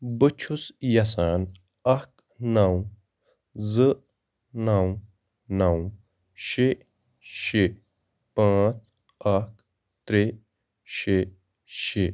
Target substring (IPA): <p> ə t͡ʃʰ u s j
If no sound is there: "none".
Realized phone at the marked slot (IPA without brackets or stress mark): b